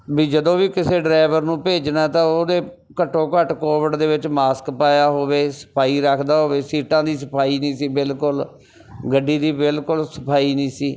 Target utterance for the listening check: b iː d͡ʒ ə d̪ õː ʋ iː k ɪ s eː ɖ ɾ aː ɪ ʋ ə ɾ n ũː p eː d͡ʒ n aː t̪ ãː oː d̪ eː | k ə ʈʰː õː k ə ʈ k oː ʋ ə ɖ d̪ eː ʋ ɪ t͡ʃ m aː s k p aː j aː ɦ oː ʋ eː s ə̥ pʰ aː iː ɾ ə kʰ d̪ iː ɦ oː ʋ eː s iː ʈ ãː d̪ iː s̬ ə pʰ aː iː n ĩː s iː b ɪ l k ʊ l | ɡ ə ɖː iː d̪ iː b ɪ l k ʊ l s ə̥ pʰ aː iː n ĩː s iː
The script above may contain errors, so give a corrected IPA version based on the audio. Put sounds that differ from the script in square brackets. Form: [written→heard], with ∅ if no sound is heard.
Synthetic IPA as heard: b iː d͡ʒ ə d̪ õː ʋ iː k ɪ s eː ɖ ɾ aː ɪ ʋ ə ɾ n ũː p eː d͡ʒ n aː t̪ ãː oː d̪ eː | k ə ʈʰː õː k ə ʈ k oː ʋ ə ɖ d̪ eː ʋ ɪ t͡ʃ m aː s k p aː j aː ɦ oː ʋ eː s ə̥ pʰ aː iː ɾ ə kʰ d̪ [iː→aː] ɦ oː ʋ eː s iː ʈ ãː d̪ iː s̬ ə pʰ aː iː n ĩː s iː b ɪ l k ʊ l | ɡ ə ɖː iː d̪ iː b ɪ l k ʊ l s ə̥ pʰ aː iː n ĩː s iː